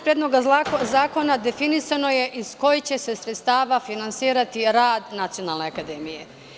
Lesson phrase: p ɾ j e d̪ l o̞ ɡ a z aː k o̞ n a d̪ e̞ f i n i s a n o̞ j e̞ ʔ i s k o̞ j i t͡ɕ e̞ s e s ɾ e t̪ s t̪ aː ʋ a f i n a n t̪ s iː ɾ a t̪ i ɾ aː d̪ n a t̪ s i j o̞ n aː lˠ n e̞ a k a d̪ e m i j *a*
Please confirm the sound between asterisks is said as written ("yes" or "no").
no